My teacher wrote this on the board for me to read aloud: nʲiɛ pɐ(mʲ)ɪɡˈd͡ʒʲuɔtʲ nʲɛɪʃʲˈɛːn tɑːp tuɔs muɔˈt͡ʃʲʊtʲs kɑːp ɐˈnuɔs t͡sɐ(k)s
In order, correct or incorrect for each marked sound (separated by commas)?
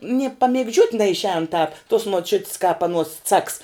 correct, correct